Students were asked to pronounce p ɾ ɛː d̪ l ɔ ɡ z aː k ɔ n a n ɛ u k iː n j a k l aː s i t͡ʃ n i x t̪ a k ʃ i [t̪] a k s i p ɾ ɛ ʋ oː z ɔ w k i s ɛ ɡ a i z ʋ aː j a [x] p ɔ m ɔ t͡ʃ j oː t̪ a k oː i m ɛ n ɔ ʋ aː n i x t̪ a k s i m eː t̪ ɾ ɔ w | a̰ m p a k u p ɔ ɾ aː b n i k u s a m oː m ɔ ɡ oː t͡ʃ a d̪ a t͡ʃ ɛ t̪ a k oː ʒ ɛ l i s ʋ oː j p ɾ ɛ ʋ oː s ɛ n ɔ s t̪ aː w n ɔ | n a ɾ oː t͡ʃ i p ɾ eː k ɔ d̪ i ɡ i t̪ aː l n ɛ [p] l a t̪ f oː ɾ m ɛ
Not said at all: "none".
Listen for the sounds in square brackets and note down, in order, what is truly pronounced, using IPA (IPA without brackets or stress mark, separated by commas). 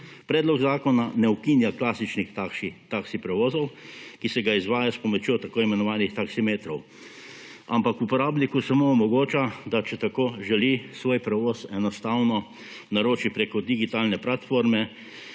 t̪, s, p